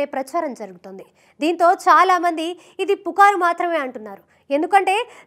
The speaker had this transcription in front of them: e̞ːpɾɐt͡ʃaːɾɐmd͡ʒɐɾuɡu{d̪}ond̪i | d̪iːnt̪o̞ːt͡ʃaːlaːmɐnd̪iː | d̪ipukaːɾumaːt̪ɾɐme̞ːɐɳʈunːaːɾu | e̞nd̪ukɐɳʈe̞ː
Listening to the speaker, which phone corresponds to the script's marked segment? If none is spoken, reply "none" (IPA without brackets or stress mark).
t̪